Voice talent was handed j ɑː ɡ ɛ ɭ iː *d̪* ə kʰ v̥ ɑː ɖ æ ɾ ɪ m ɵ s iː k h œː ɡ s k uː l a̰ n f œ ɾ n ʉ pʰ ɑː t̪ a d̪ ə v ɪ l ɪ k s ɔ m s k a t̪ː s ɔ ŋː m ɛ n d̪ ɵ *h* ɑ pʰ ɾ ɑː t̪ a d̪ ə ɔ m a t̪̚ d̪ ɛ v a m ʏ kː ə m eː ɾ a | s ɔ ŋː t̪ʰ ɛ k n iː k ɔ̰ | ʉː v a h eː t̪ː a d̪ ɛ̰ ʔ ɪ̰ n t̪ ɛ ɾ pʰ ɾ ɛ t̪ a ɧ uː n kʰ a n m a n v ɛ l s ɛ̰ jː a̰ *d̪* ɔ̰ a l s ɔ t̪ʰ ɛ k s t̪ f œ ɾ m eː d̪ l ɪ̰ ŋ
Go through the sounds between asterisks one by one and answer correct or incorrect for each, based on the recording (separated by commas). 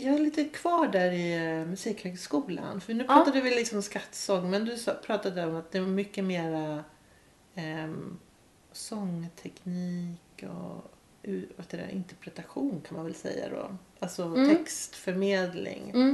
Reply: incorrect, incorrect, correct